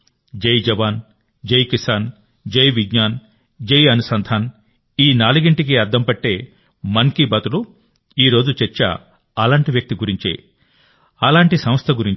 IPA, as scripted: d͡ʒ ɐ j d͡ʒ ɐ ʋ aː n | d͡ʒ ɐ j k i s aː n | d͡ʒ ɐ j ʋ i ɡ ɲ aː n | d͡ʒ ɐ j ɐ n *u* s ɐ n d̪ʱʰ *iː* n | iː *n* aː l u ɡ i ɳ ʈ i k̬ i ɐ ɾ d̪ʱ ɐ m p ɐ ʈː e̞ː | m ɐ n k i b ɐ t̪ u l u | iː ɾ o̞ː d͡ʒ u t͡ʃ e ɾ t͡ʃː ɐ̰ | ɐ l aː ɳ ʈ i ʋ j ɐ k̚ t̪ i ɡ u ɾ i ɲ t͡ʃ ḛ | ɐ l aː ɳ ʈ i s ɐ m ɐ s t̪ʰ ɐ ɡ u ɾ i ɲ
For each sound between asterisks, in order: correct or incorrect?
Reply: correct, incorrect, correct

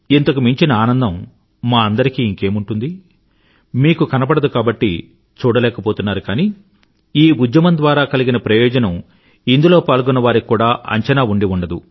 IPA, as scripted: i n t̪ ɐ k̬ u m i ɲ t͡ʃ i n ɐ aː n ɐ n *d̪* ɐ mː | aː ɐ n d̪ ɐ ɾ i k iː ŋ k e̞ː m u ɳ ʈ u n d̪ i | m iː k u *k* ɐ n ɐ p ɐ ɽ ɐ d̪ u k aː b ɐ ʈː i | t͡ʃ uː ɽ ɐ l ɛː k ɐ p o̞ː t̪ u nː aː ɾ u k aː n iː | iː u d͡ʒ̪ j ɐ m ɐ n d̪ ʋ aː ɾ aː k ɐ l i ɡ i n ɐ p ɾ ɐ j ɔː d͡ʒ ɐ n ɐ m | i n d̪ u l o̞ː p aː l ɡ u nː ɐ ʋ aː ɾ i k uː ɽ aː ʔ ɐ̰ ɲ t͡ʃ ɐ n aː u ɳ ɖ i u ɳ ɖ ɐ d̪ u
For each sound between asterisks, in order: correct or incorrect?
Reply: correct, correct

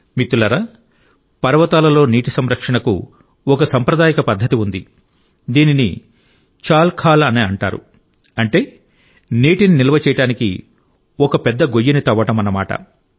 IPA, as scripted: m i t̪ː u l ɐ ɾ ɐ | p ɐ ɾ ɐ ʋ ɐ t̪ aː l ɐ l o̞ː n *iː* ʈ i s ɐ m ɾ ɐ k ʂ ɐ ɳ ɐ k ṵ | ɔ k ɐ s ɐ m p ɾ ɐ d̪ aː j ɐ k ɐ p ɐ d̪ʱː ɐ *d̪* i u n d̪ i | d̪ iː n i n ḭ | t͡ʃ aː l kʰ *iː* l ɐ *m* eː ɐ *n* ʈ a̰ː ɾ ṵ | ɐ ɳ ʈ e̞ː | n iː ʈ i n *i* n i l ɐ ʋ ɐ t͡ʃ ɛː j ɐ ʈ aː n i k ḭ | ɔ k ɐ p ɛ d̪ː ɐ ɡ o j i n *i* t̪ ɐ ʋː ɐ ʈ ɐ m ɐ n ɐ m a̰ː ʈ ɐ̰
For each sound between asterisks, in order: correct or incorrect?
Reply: correct, incorrect, incorrect, incorrect, incorrect, correct, correct

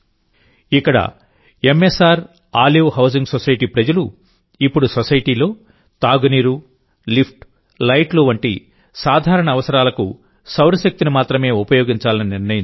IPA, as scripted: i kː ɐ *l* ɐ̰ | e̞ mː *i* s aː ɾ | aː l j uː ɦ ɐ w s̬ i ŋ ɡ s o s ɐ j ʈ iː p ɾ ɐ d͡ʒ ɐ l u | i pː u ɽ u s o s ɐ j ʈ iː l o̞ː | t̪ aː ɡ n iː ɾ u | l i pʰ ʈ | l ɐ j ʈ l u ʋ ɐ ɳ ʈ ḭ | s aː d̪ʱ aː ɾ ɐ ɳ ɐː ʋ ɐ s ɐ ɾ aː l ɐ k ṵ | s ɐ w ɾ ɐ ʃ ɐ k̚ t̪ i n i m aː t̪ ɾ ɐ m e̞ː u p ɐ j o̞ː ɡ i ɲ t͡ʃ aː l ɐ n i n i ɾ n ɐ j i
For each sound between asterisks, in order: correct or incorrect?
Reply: incorrect, incorrect

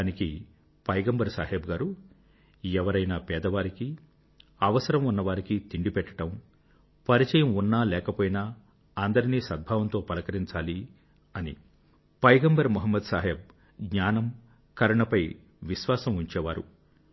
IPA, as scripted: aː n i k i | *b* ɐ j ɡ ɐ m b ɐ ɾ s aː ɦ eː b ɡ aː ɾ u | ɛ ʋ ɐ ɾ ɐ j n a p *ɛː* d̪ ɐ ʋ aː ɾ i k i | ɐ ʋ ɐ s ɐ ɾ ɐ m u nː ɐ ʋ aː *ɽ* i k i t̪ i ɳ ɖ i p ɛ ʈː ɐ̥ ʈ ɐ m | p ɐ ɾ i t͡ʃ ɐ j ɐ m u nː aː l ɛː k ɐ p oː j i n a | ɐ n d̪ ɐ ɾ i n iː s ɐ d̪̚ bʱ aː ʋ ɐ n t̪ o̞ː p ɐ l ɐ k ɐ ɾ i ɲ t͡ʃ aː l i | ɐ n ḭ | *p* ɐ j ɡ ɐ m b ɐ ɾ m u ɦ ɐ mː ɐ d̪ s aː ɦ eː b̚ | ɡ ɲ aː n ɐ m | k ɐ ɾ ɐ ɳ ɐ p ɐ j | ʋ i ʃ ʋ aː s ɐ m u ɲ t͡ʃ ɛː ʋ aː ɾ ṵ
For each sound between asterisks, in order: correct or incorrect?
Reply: incorrect, correct, incorrect, correct

